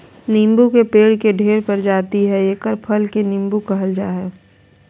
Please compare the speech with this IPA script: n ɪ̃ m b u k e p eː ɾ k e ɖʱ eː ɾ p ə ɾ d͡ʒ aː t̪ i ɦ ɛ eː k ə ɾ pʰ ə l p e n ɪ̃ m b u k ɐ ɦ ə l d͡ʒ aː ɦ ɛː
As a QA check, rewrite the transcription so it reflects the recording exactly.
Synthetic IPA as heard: n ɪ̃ m b u k e p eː ɽ k e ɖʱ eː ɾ p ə ɾ d͡ʒ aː t̪ i ɦ ɛ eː k ə ɾ pʰ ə l k e n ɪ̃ m b u k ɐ ɦ ə l d͡ʒ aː ɦ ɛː